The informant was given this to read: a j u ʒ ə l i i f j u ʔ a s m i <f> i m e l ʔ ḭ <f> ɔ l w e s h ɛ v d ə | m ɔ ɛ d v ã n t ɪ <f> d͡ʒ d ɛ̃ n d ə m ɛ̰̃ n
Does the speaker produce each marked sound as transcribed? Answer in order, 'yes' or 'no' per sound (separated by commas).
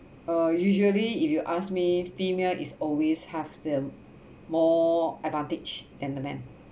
yes, no, no